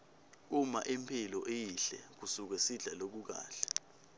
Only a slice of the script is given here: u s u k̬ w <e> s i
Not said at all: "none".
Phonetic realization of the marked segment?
ɛ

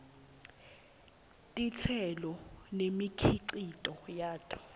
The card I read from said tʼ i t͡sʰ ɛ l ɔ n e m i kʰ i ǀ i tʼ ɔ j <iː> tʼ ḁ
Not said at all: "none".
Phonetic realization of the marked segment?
aː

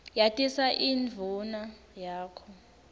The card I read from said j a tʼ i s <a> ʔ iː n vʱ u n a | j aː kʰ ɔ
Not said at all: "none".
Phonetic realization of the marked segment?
a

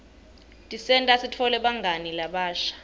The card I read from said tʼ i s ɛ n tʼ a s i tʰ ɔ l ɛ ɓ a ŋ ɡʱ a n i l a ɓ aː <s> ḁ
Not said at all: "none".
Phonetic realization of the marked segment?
ʃ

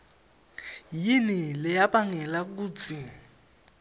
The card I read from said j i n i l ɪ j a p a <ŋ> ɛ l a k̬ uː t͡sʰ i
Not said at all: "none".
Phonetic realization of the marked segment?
ŋ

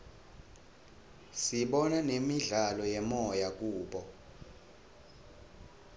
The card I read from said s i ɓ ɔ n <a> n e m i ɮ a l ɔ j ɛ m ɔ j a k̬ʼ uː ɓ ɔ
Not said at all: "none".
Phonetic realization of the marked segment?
a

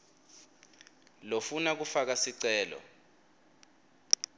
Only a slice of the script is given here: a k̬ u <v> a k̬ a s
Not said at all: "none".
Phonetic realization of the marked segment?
f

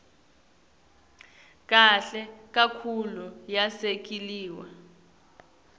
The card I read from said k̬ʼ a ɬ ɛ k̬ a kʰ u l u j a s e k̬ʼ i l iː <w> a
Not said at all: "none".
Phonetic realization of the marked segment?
w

